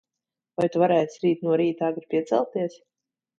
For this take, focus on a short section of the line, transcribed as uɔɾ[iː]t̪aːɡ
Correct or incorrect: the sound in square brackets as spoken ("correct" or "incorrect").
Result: correct